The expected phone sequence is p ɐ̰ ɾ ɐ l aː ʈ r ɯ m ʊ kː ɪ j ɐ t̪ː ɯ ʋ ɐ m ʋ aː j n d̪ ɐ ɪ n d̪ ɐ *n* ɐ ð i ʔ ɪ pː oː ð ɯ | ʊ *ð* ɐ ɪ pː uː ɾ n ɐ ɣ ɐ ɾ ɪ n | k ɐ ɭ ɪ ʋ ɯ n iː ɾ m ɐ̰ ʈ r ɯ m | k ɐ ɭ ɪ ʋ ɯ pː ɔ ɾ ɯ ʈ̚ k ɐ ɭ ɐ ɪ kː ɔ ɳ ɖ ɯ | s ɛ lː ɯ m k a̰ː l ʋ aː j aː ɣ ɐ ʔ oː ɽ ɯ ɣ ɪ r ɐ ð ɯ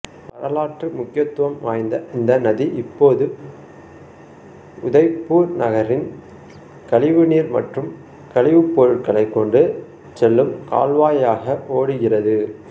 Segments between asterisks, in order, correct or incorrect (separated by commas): correct, correct